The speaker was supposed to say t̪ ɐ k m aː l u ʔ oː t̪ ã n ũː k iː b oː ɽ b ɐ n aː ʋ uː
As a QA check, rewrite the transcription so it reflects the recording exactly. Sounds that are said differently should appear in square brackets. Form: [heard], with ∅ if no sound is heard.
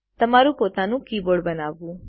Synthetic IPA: t̪ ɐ [∅] m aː [ɾ] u [p] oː t̪ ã n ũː k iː b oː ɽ b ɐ n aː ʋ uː